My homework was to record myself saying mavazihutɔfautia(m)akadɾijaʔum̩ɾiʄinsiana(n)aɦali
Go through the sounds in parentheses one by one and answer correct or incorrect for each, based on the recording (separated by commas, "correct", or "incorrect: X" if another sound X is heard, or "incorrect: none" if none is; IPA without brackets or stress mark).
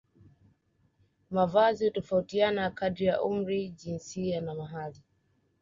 incorrect: n, incorrect: m